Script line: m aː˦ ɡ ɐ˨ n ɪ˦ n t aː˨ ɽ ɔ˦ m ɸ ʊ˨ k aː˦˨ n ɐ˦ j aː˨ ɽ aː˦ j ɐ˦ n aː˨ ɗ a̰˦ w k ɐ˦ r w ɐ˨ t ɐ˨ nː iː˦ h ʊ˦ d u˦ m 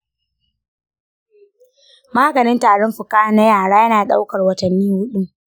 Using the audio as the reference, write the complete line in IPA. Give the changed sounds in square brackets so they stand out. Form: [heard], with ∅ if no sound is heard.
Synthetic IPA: m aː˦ ɡ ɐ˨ n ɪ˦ n t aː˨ ɽ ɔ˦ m ɸ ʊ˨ k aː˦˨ n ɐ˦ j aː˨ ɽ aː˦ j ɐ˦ n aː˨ ɗ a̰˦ w k [ɐ˨] r w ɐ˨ t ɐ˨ nː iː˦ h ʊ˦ [ɗ] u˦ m